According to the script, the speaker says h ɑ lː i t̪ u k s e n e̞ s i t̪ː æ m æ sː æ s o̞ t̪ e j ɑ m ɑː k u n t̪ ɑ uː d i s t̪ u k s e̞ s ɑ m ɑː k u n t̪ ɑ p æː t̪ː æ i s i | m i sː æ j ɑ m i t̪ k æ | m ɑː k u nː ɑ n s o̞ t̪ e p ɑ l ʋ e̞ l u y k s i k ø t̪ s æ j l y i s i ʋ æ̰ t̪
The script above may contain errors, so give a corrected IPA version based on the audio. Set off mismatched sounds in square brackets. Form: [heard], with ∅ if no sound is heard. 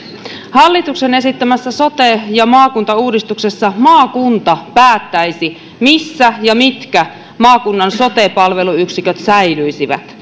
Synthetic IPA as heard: h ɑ lː i t̪ u k s e n e̞ s i t̪ː æ m æ sː æ s o̞ t̪ e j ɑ m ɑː k u n t̪ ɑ uː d i s t̪ u k s e̞ [sː] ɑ m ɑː k u n t̪ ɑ p æː t̪ː æ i s i | m i sː æ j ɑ m i t̪ k æ | m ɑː k u nː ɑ n s o̞ t̪ e p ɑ l ʋ e̞ l u y k s i k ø t̪ s æ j l y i s i ʋ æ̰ t̪

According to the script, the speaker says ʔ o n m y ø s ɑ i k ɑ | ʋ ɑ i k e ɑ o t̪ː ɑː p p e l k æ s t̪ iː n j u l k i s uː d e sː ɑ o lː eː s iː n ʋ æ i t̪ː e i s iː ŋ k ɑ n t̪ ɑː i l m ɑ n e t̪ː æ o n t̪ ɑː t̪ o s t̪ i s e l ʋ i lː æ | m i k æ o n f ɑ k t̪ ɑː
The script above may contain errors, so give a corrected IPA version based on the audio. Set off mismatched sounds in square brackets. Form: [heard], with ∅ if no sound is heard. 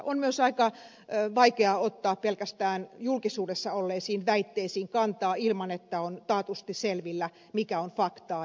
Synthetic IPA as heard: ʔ o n m y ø s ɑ i k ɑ | ʋ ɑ i k e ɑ o t̪ː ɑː p p e l k æ s t̪ [æː] n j u l k i s uː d e sː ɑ o lː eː s iː n ʋ æ i t̪ː e i s iː ŋ k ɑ n t̪ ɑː i l m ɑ n e t̪ː æ o n t̪ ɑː t̪ [u] s t̪ i s e l ʋ i lː æ | m i k æ o n f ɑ k t̪ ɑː

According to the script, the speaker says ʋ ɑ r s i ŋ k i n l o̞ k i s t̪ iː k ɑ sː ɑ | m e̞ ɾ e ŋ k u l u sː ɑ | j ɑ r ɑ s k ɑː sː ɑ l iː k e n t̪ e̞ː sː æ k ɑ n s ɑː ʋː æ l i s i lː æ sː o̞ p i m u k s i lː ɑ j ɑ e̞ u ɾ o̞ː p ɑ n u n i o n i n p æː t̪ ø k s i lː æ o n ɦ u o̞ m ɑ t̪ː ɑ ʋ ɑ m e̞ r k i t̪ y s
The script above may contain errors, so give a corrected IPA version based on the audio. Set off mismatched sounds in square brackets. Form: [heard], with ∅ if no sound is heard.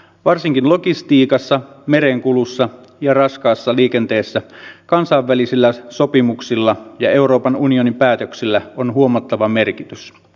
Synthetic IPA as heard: ʋ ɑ r s i ŋ k i n l o̞ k i s t̪ iː k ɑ sː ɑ | m e̞ ɾ e ŋ k u l u sː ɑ | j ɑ r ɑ s k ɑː sː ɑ l iː k e n t̪ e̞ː sː æ k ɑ n s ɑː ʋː æ l i s i lː æ [s] o̞ p i m u k s i lː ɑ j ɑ e̞ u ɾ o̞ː p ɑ n u n i o n i [m] p æː t̪ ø k s i lː æ o n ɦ u o̞ m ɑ t̪ː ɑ ʋ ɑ m e̞ r k i t̪ y s

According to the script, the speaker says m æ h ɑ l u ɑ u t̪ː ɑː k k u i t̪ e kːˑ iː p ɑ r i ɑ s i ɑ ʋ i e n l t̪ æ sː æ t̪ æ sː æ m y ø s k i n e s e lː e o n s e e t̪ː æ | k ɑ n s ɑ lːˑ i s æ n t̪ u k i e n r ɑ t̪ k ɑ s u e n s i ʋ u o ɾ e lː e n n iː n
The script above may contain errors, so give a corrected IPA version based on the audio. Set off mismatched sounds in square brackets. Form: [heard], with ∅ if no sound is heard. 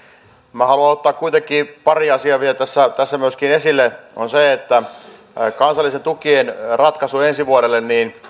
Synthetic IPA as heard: m æ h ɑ l u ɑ [o] t̪ː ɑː k k u i t̪ e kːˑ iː p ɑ r i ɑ s i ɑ ʋ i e [∅] l t̪ æ sː æ t̪ æ sː æ m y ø s k i n e s [i] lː e o n s e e t̪ː æ | k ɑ n s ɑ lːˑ i s [e] n t̪ u k i e n r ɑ t̪ k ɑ s u e n s i ʋ u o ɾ e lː e n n iː n

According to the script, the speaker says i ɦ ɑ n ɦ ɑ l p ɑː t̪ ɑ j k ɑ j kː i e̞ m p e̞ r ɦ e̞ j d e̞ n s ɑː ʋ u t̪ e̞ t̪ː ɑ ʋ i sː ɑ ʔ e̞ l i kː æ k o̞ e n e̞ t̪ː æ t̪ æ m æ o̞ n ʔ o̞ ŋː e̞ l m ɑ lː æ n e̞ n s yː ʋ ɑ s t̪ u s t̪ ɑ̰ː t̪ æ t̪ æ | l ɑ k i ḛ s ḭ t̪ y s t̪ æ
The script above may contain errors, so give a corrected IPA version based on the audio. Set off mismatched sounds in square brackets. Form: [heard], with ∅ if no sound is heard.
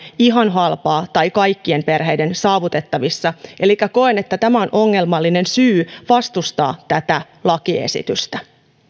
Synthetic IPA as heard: i ɦ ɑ n ɦ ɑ l p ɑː t̪ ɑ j k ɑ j kː i e̞ m p e̞ r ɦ e̞ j d e̞ n s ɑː ʋ u t̪ e̞ t̪ː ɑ ʋ i sː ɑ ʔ e̞ l i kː æ k o̞ e n e̞ t̪ː æ t̪ æ m æ o̞ n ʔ o̞ ŋː e̞ l m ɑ lː [i] n e̞ n s yː ʋ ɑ s t̪ u s t̪ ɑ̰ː t̪ æ t̪ æ | l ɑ k i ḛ s ḭ t̪ y s t̪ æ

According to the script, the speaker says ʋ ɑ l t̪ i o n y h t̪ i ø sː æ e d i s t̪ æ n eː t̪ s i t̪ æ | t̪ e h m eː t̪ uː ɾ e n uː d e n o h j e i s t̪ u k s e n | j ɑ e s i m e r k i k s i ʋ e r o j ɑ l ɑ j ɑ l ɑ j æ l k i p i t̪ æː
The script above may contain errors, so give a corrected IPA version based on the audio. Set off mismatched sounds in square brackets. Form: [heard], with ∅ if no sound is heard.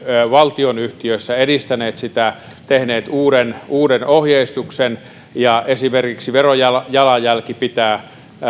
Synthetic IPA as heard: ʋ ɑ l t̪ i o n y h t̪ i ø sː æ e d i s t̪ æ n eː t̪ s i t̪ æ | t̪ e h [n] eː t̪ uː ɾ e n uː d e n o h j e i s t̪ u k s e n | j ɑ e s i m e r k i k s i ʋ e r o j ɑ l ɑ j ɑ l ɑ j æ l k i p i t̪ æː

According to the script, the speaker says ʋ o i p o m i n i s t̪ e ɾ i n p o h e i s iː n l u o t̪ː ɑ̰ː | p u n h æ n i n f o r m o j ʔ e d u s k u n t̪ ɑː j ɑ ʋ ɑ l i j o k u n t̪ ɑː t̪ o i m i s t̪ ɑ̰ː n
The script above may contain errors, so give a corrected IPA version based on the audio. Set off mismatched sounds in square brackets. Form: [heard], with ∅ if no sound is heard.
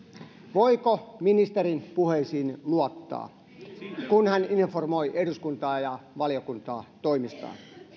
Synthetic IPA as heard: ʋ o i [k] o m i n i s t̪ e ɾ i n p [u] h e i s iː n l u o t̪ː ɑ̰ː | [k] u n h æ n i n f o r m o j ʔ e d u s k u n t̪ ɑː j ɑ ʋ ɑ l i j o k u n t̪ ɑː t̪ o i m i s t̪ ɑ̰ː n

